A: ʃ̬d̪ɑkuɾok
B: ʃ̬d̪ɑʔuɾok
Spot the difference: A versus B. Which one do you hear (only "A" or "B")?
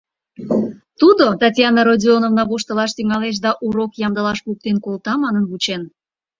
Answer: B